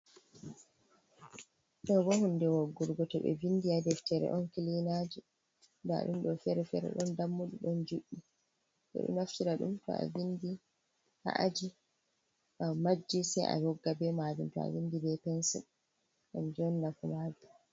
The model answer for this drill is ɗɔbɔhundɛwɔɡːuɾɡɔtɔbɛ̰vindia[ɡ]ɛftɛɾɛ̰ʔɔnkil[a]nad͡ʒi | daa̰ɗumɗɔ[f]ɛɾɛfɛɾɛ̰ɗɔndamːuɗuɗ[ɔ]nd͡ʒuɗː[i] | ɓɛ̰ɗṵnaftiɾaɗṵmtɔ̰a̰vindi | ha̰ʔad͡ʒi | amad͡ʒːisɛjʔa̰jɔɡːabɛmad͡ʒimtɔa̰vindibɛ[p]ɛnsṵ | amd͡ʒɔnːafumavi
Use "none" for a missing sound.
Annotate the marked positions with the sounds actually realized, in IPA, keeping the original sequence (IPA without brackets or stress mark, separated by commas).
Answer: d, i, f, ɔ, i, p